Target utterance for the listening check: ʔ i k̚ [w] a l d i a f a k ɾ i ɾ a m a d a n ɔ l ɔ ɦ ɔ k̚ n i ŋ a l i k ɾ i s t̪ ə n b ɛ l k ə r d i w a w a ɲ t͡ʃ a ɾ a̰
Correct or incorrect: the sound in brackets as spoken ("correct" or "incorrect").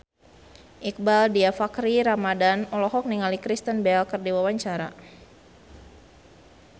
incorrect